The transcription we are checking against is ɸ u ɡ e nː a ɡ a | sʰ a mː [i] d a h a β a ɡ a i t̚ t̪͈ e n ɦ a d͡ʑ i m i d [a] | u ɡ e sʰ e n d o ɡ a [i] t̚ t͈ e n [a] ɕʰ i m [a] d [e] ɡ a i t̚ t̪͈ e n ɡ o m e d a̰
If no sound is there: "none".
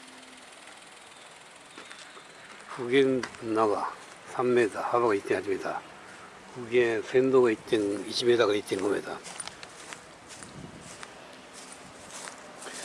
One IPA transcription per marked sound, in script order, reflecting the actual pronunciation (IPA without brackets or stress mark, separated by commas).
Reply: e, a, i, i, e, a